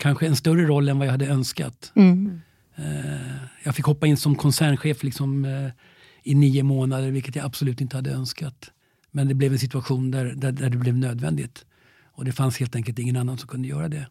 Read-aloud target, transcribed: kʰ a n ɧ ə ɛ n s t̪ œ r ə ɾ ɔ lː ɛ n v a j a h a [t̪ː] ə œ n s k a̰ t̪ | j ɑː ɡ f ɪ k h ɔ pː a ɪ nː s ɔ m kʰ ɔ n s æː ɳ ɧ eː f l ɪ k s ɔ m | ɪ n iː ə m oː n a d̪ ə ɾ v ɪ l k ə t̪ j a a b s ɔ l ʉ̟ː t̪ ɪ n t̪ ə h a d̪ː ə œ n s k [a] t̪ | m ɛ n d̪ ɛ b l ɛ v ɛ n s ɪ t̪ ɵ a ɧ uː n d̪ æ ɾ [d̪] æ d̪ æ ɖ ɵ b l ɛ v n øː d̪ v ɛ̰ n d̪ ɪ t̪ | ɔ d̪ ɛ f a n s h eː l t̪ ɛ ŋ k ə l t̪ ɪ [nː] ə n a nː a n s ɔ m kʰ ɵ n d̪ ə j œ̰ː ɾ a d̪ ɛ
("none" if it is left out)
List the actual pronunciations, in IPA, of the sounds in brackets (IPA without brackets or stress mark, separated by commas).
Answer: d̪ː, a, d̪, ŋː